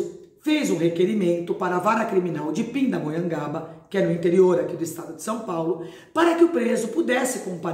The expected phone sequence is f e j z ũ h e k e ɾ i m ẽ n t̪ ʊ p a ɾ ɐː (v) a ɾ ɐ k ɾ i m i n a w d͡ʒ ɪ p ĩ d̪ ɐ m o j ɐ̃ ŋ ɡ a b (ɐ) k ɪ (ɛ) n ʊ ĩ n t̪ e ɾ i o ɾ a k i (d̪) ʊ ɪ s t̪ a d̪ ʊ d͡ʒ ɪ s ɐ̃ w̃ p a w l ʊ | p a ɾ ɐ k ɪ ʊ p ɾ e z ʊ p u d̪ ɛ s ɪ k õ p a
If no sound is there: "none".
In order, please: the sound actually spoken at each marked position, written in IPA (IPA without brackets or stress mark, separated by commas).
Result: v, ɐ, ɛ, d̪